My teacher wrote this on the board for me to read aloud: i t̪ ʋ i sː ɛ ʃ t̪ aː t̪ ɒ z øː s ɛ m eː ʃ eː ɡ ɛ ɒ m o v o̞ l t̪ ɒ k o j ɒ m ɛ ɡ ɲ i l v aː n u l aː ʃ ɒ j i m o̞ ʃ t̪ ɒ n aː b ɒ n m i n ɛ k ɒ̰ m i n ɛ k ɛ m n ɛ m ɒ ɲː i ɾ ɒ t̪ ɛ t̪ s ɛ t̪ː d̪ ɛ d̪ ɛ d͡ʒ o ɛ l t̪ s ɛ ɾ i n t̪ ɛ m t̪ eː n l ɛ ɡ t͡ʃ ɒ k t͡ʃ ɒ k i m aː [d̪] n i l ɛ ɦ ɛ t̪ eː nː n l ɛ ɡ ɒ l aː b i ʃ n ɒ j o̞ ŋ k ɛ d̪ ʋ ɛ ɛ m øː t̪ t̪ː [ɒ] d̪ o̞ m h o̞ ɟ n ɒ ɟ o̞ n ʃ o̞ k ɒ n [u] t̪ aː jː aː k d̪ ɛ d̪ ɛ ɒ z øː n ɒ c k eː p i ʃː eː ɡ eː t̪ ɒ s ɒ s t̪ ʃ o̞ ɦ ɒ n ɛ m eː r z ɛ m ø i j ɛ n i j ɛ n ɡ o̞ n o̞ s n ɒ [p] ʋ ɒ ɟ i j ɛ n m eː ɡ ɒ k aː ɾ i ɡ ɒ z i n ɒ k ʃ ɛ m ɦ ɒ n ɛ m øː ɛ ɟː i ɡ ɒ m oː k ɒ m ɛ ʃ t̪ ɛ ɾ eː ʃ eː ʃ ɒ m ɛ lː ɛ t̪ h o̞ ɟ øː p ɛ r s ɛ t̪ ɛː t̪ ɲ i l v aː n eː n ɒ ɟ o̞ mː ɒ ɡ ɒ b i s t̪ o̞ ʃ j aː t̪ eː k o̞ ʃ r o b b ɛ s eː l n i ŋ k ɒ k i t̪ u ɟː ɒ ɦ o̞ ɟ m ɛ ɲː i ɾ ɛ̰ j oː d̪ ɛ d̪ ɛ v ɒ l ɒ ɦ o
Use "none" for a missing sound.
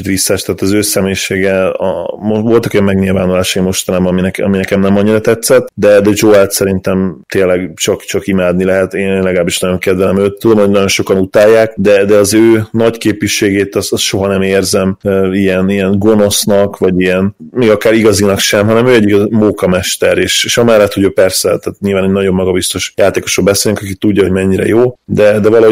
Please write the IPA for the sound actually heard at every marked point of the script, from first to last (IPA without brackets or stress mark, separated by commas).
d̪, u, u, k